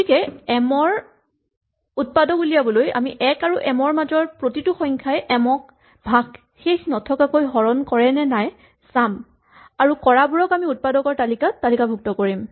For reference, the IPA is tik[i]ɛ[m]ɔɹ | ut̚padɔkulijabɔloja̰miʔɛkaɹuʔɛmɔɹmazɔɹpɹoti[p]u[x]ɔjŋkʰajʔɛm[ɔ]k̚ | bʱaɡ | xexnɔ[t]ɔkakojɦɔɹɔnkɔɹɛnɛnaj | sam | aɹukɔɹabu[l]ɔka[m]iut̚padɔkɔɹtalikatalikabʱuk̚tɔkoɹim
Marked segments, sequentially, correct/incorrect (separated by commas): incorrect, correct, incorrect, correct, correct, incorrect, incorrect, correct